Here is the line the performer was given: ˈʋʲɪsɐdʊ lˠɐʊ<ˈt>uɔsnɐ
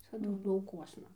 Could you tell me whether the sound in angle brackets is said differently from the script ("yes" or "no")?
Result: yes